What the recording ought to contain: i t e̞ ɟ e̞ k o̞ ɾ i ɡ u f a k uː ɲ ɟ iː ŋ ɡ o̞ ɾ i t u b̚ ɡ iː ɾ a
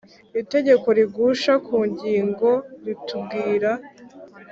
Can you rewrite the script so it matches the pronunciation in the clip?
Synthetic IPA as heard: i t e̞ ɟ e̞ k o̞ ɾ i ɡ u ʃ a k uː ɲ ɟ iː ŋ ɡ o̞ ɾ i t u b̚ ɡ iː ɾ a